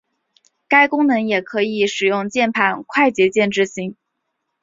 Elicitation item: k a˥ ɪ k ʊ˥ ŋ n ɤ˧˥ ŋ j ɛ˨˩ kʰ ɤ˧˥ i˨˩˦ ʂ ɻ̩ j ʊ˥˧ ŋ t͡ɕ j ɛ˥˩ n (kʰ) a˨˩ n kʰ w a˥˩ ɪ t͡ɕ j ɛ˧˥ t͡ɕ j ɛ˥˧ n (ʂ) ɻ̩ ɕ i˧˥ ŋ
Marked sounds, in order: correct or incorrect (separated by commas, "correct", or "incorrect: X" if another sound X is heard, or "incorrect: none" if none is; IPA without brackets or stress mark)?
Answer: incorrect: pʰ, incorrect: ʈ͡ʂ